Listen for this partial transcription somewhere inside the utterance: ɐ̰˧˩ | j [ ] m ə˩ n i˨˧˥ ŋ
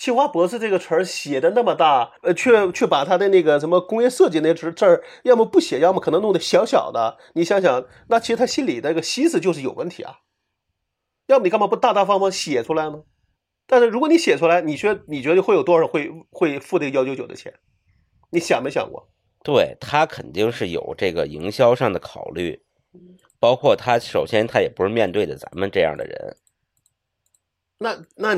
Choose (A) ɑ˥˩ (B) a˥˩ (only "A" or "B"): A